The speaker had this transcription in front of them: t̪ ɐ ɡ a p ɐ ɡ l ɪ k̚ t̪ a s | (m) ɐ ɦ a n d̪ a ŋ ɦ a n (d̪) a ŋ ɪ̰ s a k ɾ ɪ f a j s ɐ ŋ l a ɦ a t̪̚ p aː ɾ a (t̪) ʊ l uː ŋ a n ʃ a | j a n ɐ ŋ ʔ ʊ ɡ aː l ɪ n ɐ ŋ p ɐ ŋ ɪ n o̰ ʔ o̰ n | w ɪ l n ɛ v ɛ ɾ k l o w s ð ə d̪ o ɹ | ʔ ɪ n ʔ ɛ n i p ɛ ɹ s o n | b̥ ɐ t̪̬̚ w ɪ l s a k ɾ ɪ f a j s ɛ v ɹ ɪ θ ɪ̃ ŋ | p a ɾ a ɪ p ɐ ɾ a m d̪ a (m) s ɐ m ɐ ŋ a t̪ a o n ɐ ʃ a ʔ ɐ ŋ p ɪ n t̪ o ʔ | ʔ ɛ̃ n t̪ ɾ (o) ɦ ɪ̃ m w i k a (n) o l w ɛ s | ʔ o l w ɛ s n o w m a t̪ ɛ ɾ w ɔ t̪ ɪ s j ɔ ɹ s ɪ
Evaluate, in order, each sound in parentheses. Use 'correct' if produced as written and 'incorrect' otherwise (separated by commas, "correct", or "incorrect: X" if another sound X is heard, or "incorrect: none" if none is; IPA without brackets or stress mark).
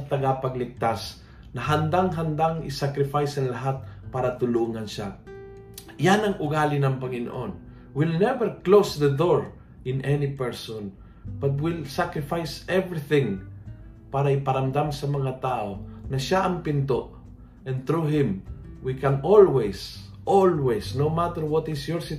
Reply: incorrect: n, correct, correct, correct, incorrect: u, correct